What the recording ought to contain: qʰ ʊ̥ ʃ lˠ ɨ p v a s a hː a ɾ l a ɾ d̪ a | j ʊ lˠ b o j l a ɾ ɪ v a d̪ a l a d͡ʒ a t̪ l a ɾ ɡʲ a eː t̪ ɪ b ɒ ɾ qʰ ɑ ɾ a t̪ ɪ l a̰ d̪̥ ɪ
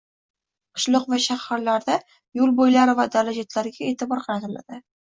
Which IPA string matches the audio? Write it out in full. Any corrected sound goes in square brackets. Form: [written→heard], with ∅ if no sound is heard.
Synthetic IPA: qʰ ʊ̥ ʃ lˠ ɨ [p→q] v a [s→ʃ] a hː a ɾ l a ɾ d̪ a | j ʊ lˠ b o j l a ɾ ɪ v a d̪ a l a d͡ʒ a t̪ l a ɾ ɡʲ a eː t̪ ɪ b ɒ ɾ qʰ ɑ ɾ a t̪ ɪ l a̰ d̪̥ ɪ